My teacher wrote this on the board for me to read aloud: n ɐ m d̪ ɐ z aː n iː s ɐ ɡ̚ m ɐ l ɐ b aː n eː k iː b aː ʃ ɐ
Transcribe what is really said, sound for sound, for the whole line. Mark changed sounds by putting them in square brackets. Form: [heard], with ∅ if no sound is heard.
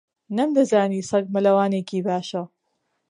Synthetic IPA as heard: n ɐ m d̪ ɐ z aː n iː s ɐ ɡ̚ m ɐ l ɐ [w] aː n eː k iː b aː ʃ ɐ

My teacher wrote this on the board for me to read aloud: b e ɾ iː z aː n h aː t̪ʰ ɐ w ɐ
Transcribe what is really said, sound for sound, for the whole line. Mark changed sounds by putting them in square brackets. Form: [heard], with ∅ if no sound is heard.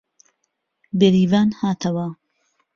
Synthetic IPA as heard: b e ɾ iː [v] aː n h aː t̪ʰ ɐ w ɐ

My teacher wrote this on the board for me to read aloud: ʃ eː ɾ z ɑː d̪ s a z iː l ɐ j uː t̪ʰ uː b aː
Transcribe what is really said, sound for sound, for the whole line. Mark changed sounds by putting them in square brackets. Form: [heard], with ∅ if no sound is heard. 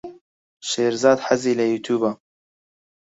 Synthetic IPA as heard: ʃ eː ɾ z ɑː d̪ [ħ] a z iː l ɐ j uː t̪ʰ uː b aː

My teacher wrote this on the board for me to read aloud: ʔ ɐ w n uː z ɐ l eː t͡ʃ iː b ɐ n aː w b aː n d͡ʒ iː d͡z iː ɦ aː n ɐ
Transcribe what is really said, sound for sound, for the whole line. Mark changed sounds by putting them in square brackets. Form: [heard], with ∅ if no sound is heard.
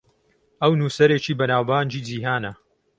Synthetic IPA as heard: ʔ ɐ w n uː [s] ɐ [ɾ] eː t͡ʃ iː b ɐ n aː w b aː n d͡ʒ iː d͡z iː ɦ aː n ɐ

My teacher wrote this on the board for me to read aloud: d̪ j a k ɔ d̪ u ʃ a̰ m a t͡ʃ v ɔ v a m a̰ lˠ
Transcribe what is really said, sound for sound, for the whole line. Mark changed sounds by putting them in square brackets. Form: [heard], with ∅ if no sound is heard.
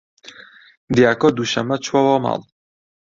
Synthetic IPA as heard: d̪ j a k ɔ d̪ u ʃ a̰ m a t͡ʃ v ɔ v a m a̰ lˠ

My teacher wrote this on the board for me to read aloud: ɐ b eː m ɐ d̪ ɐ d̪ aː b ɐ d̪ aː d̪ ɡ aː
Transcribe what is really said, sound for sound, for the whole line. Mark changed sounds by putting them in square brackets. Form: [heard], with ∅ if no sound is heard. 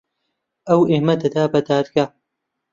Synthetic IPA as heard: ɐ [w] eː m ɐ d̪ ɐ d̪ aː b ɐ d̪ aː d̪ ɡ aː

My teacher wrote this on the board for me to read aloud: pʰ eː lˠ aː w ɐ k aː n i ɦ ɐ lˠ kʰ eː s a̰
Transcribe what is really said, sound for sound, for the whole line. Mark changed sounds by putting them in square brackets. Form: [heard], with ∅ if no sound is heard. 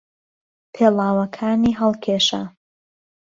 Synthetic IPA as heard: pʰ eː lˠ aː w ɐ [kʰ] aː n i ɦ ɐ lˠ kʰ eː [ʃ] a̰

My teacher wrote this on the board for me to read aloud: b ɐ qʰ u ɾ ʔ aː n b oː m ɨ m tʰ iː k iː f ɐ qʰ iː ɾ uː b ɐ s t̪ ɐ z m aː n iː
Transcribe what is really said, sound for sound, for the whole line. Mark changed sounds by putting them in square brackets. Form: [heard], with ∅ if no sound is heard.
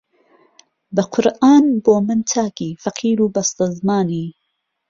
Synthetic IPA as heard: b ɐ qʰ [ʊ] ɾ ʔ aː n b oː m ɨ [n] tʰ [aː] k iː f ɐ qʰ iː ɾ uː b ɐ s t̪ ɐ z m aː n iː

